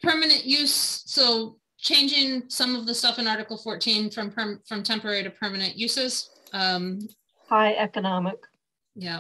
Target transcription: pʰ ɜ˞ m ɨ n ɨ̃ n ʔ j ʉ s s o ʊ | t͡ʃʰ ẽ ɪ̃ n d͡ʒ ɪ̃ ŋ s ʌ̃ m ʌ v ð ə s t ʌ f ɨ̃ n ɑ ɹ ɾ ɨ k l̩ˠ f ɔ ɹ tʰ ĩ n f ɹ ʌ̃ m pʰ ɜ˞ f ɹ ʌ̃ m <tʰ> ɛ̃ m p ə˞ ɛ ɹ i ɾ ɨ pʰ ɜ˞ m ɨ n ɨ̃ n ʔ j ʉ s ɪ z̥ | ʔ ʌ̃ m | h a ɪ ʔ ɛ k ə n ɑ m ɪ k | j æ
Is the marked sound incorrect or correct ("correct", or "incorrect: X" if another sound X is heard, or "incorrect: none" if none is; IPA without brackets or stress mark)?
correct